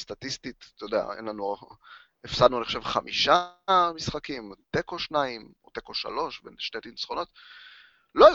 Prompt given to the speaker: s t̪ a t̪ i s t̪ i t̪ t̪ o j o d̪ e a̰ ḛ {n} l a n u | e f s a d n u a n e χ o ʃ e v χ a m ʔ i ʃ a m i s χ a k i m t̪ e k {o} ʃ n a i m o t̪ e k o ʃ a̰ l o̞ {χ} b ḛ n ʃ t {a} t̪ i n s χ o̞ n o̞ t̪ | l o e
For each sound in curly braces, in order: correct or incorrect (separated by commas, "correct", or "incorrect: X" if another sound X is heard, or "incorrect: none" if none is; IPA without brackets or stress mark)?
correct, correct, incorrect: ʃ, incorrect: e